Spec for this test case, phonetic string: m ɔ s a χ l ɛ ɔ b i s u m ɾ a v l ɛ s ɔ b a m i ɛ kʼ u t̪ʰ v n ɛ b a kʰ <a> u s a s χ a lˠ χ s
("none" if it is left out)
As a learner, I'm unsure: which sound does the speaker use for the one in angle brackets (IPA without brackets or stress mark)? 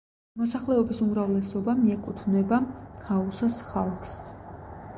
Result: a